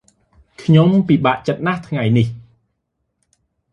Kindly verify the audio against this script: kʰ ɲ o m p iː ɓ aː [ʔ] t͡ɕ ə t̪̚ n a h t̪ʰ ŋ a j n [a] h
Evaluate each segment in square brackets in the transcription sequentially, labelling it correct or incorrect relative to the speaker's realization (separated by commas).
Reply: correct, incorrect